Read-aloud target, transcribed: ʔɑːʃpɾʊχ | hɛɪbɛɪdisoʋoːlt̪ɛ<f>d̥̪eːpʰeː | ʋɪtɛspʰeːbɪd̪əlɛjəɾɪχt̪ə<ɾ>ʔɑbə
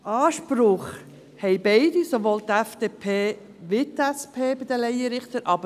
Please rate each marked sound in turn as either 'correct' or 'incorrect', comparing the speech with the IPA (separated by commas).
correct, correct